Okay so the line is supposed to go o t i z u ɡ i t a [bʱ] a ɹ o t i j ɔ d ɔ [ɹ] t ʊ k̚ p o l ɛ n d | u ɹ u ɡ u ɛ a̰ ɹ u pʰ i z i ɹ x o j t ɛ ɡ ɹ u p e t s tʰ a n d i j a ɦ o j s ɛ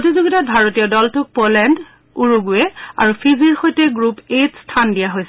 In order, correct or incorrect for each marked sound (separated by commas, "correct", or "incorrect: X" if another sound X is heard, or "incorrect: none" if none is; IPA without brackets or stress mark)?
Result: correct, incorrect: l